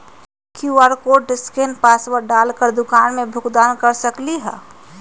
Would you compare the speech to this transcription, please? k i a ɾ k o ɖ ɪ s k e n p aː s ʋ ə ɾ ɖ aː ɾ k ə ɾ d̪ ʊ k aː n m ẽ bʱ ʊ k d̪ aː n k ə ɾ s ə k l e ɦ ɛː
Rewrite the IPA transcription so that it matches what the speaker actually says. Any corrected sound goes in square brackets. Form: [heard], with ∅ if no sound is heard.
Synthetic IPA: k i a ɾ k o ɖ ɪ s k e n p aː s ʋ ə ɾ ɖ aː [l] k ə ɾ d̪ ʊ k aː n m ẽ bʱ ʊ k d̪ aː n k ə ɾ s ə k l [i] ɦ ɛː